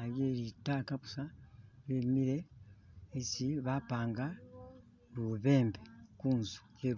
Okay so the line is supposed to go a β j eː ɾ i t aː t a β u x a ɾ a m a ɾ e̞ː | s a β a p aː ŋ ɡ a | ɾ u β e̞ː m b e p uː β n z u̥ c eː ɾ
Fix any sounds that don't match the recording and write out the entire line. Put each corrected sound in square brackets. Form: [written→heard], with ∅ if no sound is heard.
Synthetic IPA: a β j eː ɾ i t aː [t→k] a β u [x→s] a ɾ [a→e] m [a→i] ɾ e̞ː | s [a→i] β a p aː ŋ ɡ a | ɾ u β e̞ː m b e [p→k] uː [β→∅] n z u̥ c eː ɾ